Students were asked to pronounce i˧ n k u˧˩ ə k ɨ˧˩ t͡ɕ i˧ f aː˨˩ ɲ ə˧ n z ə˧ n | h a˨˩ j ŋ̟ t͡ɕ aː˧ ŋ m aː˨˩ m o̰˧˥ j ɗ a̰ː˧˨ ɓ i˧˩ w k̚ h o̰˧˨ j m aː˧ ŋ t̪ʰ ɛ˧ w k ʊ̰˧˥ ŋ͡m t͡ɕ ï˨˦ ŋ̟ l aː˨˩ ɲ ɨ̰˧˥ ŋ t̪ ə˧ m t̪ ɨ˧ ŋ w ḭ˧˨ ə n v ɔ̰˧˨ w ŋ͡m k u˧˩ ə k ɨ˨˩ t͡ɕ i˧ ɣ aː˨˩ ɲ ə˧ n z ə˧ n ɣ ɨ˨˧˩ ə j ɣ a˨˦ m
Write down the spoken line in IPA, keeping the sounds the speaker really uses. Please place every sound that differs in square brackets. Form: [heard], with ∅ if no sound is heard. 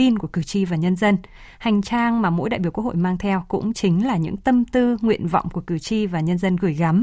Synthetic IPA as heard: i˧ n k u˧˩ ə k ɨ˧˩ t͡ɕ i˧ [v] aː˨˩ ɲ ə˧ n z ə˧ n | h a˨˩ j ŋ̟ t͡ɕ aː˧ ŋ m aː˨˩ m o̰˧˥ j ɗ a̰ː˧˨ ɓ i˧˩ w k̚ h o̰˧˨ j m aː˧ ŋ t̪ʰ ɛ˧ w k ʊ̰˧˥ ŋ͡m t͡ɕ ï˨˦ ŋ̟ l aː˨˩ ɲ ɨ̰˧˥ ŋ t̪ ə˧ m t̪ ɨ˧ ŋ w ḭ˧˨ ə n v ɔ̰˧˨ w ŋ͡m k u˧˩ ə k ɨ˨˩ t͡ɕ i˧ [v] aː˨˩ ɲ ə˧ n z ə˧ n ɣ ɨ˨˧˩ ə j ɣ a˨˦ m